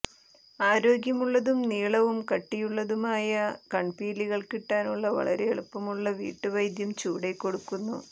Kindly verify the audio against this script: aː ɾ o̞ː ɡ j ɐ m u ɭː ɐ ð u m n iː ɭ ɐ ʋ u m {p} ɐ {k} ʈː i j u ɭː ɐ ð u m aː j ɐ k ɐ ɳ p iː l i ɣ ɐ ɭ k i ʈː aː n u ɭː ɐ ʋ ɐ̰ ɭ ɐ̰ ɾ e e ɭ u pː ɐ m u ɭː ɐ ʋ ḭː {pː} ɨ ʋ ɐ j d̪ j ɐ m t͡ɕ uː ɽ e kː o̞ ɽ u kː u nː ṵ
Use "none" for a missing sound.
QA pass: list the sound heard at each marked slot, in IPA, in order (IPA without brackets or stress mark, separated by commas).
k, none, ʈː